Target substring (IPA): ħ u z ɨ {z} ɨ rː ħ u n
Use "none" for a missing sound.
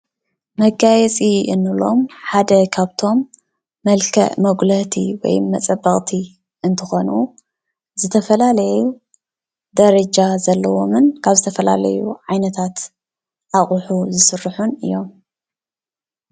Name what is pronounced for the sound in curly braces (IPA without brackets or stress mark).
s